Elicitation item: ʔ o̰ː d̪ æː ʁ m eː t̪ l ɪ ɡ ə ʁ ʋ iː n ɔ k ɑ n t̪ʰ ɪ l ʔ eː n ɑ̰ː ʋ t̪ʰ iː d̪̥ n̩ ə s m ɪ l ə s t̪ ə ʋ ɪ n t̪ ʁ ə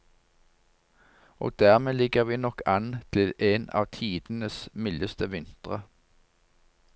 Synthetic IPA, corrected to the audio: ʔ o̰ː d̪ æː ʁ m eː l ɪ ɡ ə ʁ ʋ iː n ɔ k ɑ n t̪ʰ ɪ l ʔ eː n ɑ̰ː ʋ t̪ʰ iː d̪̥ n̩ ə s m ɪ l ə s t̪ ə ʋ ɪ n t̪ ʁ ə